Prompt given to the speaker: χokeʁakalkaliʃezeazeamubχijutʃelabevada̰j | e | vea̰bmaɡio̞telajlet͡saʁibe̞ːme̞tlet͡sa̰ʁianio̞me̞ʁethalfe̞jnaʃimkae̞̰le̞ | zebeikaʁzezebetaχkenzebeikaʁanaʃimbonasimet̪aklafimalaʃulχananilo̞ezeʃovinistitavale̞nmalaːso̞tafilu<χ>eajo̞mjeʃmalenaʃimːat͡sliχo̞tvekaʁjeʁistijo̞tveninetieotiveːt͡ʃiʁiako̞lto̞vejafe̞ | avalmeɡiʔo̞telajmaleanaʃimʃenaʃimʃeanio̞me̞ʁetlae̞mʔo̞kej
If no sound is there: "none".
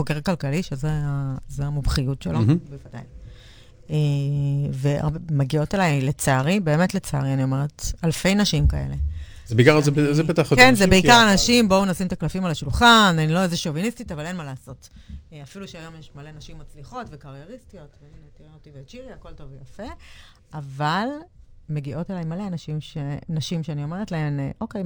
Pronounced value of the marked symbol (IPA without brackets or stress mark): ʃ